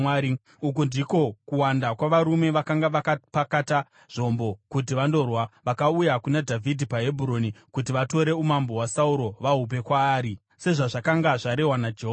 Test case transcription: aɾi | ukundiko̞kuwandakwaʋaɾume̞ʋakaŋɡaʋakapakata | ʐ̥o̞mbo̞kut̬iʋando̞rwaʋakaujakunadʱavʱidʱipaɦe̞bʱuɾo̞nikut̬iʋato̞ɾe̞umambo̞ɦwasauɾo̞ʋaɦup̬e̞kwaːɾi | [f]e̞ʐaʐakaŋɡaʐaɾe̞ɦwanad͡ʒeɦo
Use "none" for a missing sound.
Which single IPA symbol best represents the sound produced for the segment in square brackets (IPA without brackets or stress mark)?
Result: s